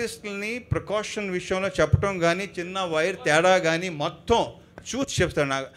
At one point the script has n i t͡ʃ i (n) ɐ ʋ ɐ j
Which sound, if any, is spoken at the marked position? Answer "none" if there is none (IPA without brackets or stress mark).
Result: nː